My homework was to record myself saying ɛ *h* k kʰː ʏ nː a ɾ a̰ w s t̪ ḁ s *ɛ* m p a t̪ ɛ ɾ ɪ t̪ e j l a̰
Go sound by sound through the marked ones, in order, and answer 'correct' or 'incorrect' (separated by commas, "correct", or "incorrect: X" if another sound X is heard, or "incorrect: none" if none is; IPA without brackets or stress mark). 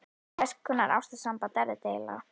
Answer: incorrect: s, incorrect: a